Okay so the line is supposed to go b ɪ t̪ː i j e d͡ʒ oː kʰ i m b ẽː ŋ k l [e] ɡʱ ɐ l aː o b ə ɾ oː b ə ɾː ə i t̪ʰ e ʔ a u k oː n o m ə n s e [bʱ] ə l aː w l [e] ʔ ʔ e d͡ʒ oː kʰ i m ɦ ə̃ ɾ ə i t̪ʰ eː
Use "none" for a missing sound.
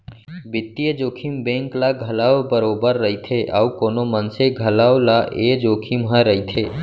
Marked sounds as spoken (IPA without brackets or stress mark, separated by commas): a, ɡʱ, a